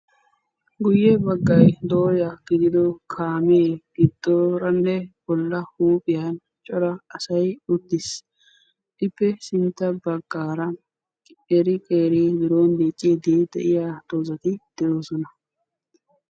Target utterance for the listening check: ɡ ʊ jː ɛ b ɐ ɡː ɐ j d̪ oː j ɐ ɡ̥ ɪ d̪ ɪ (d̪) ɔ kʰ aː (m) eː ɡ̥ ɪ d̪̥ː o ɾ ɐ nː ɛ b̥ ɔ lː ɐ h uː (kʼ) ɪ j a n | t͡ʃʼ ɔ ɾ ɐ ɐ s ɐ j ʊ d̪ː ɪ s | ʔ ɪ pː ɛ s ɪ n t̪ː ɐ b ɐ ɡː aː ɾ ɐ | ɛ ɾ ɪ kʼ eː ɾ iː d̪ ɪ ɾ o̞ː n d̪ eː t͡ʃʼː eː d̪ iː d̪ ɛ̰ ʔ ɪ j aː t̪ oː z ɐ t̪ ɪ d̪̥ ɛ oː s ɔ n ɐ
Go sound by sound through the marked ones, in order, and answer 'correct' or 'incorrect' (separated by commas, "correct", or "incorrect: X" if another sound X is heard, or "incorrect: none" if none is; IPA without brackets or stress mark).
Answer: correct, correct, incorrect: pʼ